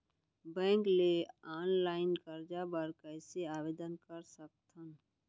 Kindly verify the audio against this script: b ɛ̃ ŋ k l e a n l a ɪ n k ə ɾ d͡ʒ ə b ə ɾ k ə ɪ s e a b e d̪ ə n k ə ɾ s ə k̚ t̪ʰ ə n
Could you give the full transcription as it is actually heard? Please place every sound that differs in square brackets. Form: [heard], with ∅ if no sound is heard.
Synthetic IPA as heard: b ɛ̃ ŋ k l e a n l a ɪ n k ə ɾ d͡ʒ [a] b ə ɾ k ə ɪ s e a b e d̪ ə n k ə ɾ s ə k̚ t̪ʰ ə n